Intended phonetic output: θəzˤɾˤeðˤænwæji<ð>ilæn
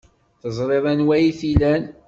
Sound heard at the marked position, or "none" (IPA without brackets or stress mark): θ